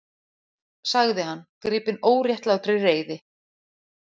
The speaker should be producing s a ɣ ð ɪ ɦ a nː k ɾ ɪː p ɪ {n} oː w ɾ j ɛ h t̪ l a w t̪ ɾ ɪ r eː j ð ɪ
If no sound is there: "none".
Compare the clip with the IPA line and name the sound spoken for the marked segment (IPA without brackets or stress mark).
n